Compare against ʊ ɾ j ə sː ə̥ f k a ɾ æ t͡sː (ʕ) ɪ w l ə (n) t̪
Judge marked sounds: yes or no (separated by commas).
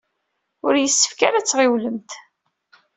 no, no